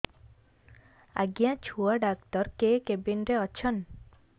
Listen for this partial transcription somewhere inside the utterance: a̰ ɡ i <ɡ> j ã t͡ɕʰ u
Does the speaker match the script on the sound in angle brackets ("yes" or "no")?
no